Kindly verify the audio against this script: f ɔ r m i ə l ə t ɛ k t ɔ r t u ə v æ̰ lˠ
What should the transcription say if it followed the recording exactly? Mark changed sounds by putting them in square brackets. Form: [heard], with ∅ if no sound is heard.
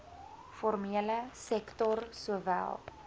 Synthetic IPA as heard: f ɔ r m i ə l ə [s] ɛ k t ɔ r [s] u ə v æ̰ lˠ